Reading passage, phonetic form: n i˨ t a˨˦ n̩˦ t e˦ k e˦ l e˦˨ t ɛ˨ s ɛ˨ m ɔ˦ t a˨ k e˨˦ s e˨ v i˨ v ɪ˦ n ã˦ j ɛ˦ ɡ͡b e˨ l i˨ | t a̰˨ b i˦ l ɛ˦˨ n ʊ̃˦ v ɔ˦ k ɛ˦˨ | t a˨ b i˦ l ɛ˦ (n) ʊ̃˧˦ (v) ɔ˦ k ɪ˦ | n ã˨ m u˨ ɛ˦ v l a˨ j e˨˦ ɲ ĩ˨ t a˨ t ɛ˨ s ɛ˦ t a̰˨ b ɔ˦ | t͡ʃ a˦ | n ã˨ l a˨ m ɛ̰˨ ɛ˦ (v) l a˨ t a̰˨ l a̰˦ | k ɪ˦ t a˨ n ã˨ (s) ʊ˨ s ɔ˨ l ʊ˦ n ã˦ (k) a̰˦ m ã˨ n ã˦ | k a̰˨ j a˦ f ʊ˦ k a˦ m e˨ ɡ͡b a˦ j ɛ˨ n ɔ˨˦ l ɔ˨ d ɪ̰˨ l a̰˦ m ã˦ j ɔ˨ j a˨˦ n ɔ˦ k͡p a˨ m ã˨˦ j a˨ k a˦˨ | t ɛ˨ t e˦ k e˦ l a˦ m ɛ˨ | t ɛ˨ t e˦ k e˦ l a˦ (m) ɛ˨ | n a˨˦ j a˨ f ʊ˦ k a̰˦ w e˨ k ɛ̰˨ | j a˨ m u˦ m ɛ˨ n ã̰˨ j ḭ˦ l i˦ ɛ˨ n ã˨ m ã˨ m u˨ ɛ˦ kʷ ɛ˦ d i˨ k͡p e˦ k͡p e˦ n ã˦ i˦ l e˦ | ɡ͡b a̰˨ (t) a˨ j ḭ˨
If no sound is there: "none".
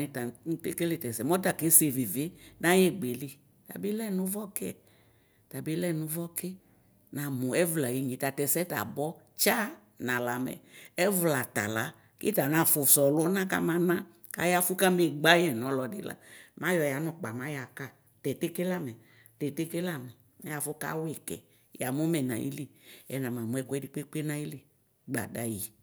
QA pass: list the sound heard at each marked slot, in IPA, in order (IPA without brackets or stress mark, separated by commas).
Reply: n, v, v, f, k, m, d